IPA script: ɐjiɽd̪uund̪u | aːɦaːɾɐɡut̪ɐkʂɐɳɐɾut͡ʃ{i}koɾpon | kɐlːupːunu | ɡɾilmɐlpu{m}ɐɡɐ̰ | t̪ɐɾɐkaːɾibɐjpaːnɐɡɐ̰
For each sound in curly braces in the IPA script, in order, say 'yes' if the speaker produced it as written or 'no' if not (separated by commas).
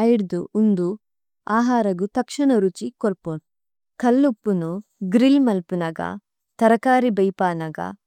yes, no